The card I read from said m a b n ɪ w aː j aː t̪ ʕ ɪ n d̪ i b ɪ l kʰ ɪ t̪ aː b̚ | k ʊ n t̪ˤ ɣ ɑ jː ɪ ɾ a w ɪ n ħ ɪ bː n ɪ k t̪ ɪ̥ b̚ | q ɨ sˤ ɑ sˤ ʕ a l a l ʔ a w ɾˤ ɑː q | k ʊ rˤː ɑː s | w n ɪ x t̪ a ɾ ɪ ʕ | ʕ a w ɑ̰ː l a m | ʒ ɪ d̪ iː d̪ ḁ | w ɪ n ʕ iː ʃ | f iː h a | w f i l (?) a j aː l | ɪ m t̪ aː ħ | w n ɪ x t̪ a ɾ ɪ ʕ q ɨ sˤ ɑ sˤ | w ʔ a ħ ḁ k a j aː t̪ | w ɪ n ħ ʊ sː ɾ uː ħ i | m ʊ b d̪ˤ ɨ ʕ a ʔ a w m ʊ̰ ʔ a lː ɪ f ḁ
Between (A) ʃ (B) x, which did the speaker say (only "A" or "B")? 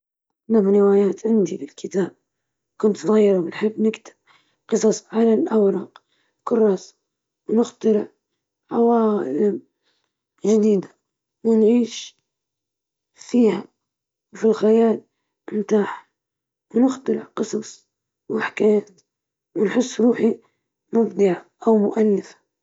B